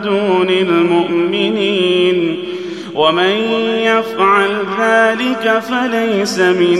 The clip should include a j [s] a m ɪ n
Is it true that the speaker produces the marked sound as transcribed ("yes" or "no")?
yes